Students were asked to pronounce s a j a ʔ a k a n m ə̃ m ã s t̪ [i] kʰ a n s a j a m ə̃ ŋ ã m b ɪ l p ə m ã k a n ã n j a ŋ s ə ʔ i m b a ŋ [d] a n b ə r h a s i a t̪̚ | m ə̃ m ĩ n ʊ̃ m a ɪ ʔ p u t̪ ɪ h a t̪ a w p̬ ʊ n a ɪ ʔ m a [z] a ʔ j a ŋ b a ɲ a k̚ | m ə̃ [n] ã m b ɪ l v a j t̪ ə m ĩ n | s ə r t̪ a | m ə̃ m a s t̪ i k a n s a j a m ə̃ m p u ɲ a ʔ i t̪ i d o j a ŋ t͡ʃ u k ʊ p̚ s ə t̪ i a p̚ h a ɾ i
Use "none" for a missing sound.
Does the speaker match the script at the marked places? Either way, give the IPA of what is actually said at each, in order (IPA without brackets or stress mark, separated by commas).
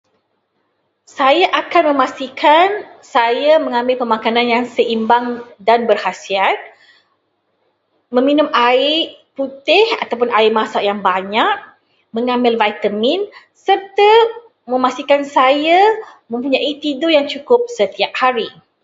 i, d, s, ŋ